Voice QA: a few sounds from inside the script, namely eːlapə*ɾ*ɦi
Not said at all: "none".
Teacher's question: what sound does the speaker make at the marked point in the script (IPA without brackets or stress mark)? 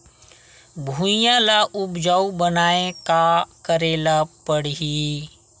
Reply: ɽ